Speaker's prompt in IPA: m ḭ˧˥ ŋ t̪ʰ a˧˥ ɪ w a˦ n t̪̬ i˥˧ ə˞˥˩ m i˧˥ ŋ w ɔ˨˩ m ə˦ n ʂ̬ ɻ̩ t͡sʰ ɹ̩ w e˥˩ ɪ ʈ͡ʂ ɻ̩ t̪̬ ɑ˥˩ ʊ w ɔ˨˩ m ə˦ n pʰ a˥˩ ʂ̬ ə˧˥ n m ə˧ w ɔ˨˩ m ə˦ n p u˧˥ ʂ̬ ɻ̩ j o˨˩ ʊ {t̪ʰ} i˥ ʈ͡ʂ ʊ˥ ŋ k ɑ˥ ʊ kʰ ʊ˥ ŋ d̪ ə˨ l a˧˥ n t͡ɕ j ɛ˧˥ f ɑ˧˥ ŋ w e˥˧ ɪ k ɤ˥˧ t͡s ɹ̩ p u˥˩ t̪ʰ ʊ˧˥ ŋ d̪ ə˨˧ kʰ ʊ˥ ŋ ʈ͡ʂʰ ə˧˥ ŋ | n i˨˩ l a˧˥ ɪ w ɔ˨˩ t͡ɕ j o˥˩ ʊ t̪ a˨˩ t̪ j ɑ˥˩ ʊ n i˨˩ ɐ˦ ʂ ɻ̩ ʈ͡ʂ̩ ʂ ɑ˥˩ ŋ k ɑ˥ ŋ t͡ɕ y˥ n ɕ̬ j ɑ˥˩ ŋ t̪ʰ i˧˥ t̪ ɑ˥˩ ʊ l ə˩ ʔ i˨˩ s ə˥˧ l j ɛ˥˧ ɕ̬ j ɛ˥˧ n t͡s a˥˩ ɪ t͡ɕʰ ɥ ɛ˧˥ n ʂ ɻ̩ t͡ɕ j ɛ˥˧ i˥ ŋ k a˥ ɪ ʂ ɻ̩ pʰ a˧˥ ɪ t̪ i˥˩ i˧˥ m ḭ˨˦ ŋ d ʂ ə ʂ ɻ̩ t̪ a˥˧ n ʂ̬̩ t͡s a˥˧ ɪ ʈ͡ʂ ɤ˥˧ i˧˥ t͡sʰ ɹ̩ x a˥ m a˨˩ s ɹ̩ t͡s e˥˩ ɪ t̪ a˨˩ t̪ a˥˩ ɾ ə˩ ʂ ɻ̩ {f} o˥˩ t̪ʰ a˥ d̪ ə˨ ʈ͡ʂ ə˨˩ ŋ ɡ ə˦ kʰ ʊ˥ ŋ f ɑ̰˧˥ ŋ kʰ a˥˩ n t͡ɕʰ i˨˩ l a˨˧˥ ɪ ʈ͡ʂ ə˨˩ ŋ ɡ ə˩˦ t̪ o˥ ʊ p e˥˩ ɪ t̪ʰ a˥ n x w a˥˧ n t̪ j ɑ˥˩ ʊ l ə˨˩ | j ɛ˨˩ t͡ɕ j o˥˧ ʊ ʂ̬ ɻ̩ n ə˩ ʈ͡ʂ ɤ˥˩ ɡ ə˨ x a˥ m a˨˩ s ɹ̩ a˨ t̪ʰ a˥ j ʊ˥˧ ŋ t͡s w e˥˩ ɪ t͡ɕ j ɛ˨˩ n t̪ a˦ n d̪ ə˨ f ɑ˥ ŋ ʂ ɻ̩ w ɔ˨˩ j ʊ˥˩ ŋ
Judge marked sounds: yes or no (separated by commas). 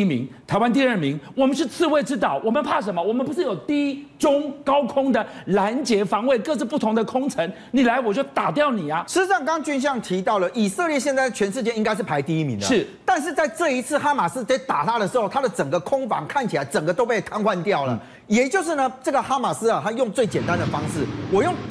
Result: no, no